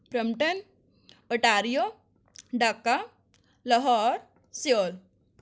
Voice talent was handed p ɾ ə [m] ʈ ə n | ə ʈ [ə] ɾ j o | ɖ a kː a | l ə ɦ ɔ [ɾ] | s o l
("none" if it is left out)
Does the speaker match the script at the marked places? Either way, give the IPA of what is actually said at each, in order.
m, a, ɾ

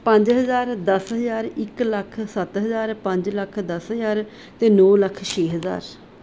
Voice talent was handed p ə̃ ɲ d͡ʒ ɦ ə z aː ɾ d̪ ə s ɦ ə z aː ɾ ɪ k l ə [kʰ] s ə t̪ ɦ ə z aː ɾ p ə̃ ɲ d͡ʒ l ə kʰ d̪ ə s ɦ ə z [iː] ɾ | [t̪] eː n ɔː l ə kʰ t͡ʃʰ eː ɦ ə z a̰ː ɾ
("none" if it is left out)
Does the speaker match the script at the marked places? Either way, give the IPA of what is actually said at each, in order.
kʰ, aː, t̪

